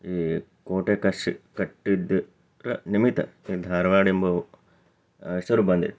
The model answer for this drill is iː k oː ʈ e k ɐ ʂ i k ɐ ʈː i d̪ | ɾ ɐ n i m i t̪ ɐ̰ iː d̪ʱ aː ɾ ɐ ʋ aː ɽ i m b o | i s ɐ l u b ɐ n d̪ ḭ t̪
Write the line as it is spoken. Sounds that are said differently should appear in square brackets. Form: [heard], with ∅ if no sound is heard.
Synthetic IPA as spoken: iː k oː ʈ e k ɐ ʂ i k ɐ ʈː i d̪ | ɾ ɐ n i m i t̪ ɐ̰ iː d̪ʱ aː ɾ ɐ ʋ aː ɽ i m b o | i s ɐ [ɾ] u b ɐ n d̪ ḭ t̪